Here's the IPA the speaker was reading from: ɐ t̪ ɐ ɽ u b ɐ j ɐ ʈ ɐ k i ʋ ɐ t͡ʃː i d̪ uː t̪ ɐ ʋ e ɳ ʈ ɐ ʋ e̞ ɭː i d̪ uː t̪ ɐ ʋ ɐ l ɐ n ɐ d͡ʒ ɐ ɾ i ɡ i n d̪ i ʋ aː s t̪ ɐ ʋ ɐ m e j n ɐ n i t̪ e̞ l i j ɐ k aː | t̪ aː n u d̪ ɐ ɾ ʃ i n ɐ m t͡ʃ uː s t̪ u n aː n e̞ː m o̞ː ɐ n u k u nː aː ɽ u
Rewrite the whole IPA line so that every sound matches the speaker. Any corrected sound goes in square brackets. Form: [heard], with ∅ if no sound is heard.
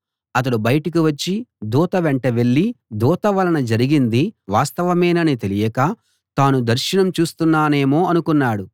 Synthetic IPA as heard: ɐ t̪ ɐ ɽ u b ɐ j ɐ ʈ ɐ k i ʋ ɐ t͡ʃː i d̪ uː t̪ ɐ ʋ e ɳ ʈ ɐ ʋ e̞ ɭː i d̪ uː t̪ ɐ ʋ ɐ l ɐ n ɐ d͡ʒ ɐ ɾ i ɡ i n d̪ i ʋ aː s t̪ ɐ ʋ ɐ m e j n ɐ n i t̪ e̞ l i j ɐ k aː | t̪ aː n u d̪ ɐ ɾ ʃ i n ɐ m t͡ʃ uː s t̪ u [nː] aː n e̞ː m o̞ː ɐ n u k u nː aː ɽ u